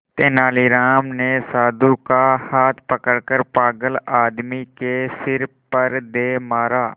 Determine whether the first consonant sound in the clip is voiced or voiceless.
voiceless